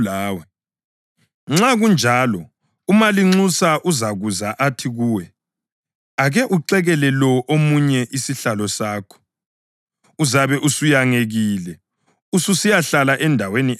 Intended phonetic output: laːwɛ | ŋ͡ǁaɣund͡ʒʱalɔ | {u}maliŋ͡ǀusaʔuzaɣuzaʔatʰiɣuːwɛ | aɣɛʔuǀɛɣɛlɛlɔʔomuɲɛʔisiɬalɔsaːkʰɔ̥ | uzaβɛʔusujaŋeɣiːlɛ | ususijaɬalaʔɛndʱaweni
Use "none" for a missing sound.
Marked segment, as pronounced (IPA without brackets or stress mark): u